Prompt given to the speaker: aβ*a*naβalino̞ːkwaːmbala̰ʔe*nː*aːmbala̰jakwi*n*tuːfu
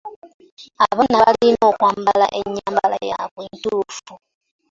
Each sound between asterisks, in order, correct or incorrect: correct, incorrect, correct

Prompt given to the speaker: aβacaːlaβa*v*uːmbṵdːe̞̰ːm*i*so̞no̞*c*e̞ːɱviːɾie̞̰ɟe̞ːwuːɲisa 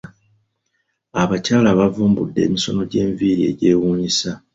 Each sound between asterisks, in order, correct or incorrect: correct, correct, incorrect

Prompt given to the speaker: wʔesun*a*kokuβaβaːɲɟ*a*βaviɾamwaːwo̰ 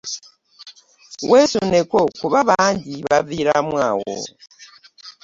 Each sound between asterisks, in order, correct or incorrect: incorrect, incorrect

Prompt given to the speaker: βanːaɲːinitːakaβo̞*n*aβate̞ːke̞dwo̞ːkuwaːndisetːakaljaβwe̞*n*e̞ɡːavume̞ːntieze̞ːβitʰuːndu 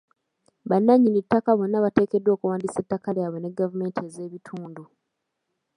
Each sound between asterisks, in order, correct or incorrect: incorrect, correct

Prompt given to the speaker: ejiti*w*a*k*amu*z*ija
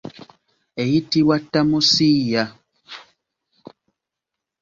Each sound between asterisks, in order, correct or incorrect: correct, incorrect, incorrect

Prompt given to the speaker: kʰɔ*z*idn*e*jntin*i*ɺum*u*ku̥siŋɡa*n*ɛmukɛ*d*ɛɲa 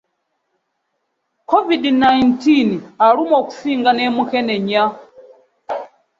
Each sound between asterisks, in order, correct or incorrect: incorrect, incorrect, incorrect, incorrect, correct, incorrect

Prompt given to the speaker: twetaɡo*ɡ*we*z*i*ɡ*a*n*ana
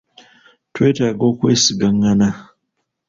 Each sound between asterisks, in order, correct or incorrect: incorrect, incorrect, correct, incorrect

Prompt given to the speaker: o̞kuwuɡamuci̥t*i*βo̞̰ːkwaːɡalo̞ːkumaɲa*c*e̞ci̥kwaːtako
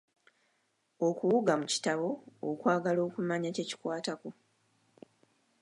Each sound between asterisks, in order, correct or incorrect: incorrect, correct

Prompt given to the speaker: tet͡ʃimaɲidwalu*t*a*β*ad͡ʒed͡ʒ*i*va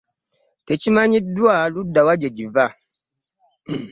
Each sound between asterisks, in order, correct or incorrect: incorrect, incorrect, correct

